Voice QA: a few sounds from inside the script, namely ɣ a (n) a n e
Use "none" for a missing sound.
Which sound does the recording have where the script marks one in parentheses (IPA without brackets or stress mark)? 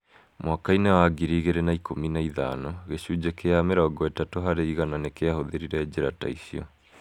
n